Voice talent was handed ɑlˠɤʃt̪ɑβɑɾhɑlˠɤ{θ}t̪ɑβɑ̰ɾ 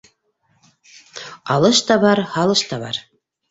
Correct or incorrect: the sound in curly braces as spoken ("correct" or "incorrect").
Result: incorrect